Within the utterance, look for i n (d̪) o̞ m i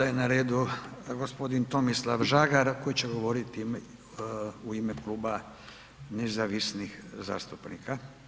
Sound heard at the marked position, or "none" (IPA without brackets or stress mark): t̪